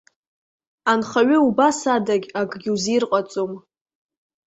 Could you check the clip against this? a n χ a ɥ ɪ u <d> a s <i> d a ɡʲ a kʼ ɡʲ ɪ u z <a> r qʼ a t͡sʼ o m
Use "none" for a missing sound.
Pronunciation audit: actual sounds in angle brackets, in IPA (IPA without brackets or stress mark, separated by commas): b, a, i